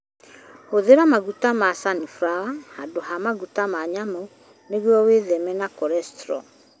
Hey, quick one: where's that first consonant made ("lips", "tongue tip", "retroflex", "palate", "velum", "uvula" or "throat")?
throat